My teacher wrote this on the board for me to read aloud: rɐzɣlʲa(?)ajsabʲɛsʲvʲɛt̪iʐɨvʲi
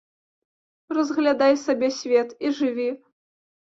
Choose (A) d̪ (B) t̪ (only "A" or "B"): A